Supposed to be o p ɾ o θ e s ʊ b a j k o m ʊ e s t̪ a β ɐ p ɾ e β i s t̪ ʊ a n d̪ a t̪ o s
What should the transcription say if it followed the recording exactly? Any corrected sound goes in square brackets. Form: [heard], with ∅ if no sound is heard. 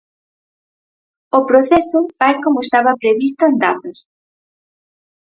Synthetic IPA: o p ɾ o θ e s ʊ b a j k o m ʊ e s t̪ a β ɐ p ɾ e β i s t̪ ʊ [e] n d̪ a t̪ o s